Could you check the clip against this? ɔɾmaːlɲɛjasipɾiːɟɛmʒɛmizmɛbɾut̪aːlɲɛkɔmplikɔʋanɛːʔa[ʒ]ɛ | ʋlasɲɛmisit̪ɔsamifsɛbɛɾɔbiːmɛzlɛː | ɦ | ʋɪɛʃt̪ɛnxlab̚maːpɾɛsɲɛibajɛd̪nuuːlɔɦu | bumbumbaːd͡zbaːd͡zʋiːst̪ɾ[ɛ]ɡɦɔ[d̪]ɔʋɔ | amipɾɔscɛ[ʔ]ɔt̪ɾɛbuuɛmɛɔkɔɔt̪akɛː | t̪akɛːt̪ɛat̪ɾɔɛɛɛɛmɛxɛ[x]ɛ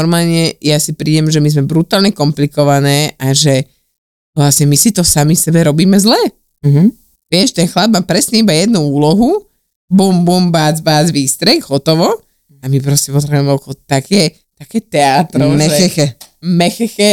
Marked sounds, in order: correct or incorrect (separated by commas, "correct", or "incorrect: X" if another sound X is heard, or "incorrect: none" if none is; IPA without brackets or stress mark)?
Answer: correct, correct, incorrect: t̪, incorrect: p, correct